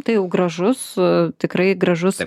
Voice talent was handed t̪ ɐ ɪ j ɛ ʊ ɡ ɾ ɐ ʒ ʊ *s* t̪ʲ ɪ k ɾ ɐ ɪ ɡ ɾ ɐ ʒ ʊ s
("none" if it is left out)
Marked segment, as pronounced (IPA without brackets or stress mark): s